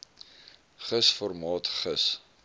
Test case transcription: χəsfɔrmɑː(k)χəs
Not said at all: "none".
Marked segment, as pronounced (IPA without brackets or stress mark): t